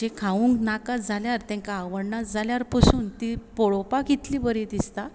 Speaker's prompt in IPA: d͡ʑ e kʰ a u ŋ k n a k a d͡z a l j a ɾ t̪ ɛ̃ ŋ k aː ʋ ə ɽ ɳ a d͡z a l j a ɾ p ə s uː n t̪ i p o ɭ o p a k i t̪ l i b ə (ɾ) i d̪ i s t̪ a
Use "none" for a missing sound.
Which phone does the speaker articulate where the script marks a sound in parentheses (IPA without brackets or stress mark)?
ɾ